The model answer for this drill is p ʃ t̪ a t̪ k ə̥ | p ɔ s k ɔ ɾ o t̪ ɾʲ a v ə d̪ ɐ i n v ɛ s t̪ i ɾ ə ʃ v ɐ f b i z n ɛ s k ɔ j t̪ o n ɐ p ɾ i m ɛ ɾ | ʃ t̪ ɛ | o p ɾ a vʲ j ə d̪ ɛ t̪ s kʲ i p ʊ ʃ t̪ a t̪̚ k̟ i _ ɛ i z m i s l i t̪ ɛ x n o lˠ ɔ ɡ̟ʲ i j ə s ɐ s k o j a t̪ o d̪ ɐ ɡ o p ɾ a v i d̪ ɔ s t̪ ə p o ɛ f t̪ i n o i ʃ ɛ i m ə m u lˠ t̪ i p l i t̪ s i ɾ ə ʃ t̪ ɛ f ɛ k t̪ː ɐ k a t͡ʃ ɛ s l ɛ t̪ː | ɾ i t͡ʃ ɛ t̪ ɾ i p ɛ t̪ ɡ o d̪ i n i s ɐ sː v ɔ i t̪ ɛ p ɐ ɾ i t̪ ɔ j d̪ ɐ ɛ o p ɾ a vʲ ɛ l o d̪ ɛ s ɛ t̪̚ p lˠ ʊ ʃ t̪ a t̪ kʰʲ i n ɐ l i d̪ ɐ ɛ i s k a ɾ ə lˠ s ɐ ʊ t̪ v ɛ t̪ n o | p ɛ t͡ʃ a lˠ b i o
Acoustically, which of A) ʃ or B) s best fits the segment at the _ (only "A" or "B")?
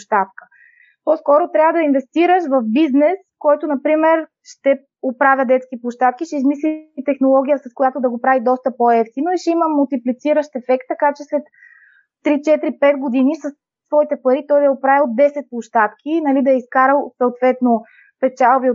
A